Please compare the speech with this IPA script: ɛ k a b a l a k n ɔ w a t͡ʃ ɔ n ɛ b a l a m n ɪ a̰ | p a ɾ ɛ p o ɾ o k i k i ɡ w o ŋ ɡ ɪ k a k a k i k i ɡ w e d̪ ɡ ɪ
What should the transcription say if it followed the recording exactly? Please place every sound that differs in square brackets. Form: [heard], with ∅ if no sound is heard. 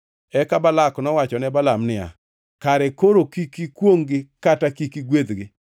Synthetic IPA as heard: ɛ k a b a l a k n ɔ w a t͡ʃ ɔ n ɛ b a l a m n ɪ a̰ | [k] a ɾ ɛ [k] o ɾ o k i k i [k] w o ŋ ɡ ɪ k a [t] a k i k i ɡ w e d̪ ɡ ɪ